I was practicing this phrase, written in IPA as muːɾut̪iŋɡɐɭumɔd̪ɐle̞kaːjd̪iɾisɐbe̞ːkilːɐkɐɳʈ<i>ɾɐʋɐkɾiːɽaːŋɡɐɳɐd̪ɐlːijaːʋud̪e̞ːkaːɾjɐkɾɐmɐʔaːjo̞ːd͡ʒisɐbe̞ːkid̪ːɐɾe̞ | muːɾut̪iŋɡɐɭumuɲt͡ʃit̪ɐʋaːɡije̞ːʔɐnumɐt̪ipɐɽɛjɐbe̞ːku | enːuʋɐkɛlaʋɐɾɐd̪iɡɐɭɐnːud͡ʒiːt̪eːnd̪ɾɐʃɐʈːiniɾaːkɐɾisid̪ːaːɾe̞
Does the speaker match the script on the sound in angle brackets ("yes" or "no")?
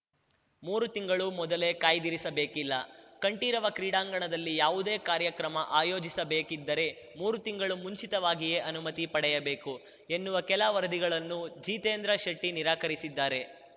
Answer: no